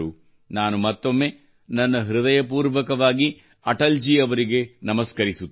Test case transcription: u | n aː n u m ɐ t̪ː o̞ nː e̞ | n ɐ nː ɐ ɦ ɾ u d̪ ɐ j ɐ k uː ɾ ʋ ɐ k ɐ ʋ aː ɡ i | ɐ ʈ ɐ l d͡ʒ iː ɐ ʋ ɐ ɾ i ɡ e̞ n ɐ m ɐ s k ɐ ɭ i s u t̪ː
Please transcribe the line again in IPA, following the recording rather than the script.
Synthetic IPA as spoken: u | n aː n u m ɐ t̪ː o̞ mː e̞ | n ɐ nː ɐ ɦ ɾ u d̪ ɐ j ɐ p uː ɾ ʋ ɐ k ɐ ʋ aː ɡ i | ɐ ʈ ɐ l d͡ʒ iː ɐ ʋ ɐ ɾ i ɡ e̞ n ɐ m ɐ s k ɐ ɾ i s u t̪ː